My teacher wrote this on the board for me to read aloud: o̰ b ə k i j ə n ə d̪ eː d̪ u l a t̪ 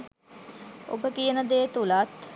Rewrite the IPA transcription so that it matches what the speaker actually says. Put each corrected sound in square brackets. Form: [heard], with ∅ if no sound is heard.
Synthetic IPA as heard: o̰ b ə k i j ə n ə d̪ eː [t̪] u l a t̪